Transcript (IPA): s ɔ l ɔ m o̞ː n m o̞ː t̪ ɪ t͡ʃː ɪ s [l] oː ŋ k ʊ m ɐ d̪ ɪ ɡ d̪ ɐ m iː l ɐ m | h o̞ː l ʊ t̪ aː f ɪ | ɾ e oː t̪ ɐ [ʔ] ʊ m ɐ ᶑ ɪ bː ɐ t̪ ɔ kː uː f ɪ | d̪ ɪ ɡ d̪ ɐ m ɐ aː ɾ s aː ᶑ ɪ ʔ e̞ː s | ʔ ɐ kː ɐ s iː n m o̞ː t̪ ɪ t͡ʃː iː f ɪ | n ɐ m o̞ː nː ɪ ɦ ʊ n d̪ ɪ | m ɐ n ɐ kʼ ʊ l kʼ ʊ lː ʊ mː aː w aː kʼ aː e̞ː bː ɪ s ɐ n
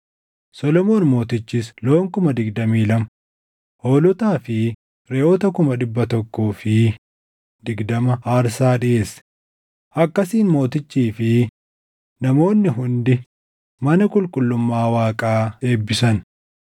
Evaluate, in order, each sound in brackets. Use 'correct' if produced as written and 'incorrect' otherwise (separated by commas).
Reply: correct, incorrect